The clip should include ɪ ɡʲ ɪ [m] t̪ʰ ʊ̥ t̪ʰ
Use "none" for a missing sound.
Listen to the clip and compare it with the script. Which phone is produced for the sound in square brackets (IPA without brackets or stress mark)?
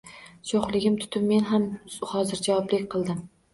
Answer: m